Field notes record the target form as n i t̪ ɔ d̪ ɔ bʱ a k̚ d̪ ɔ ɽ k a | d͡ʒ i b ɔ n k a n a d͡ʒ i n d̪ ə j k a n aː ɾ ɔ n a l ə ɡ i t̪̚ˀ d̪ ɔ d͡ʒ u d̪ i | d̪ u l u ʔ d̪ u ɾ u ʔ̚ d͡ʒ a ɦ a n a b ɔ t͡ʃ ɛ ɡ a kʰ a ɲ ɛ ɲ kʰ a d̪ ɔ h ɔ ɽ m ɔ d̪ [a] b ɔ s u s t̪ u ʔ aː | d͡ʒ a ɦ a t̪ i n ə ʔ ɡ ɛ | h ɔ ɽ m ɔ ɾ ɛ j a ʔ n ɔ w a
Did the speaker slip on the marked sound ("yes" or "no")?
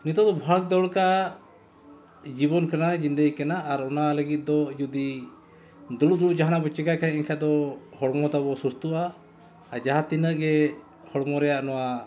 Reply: no